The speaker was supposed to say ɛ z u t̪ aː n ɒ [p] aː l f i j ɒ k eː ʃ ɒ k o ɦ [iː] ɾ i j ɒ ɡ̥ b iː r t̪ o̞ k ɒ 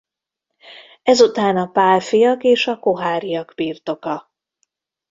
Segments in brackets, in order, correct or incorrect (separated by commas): correct, incorrect